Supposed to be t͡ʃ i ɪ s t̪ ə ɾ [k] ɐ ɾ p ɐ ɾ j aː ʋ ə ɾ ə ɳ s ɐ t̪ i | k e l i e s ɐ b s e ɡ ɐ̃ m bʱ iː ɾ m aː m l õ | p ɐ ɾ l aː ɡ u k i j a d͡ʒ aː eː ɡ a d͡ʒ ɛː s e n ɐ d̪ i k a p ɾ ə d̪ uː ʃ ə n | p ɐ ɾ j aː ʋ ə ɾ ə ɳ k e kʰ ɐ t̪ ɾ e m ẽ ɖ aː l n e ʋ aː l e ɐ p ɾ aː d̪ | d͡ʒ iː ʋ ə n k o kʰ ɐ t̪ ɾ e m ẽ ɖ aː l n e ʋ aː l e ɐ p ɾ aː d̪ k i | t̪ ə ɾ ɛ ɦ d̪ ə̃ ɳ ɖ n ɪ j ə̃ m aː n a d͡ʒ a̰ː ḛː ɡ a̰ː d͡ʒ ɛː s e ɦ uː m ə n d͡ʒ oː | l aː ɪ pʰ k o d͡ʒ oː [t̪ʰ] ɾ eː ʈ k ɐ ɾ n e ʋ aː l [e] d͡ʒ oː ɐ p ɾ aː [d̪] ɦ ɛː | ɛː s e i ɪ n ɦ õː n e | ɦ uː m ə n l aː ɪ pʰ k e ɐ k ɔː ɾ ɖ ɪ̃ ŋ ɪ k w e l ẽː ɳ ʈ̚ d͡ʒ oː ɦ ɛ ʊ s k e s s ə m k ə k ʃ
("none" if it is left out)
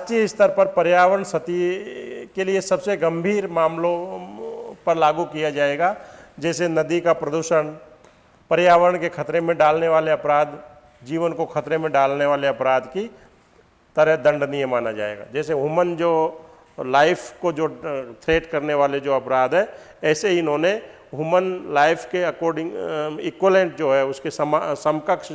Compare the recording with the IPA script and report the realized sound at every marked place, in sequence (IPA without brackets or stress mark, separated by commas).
p, t̪ʰ, e, d̪